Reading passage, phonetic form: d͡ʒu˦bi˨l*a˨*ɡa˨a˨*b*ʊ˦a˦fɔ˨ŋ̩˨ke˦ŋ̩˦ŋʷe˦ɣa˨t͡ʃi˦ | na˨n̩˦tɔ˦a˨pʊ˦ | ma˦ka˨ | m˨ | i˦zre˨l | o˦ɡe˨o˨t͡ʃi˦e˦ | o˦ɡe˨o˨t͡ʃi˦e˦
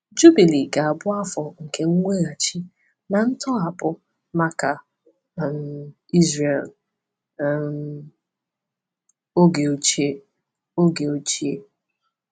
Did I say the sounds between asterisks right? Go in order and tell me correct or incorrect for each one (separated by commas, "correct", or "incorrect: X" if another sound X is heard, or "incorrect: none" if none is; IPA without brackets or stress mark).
incorrect: i˨, correct